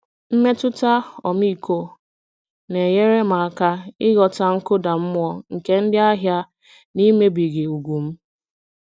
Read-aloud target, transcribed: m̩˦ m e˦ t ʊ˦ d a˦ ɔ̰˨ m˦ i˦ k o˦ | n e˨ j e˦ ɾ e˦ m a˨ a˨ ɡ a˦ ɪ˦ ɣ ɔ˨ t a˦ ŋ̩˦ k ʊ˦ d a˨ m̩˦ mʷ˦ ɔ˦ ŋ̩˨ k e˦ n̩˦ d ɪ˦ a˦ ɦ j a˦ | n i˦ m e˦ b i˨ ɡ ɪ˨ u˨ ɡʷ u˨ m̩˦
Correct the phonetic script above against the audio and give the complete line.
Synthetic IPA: m̩˦ m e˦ t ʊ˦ t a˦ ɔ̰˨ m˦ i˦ k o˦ | n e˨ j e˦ ɾ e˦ m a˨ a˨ k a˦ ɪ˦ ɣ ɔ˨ t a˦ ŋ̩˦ k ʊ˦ d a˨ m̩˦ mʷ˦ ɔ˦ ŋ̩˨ k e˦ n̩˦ d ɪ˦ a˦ ɦ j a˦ | n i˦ m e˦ b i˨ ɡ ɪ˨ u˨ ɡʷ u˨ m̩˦